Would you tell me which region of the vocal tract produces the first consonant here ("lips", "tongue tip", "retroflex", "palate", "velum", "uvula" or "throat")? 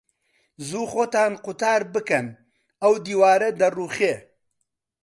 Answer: tongue tip